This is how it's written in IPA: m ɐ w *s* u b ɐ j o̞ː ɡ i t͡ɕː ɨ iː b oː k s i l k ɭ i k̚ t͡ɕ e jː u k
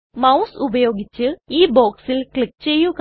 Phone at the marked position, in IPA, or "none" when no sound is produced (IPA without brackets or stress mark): s